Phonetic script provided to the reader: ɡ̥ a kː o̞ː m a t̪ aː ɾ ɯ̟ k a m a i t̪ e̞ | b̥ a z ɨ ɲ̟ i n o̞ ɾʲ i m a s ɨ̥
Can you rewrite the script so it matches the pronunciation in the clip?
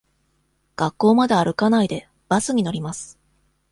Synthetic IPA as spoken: ɡ̥ a kː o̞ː m a d̪ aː ɾ ɯ̟ k a n a i d̪ e̞ | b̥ a s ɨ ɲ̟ i n o̞ ɾʲ i m a s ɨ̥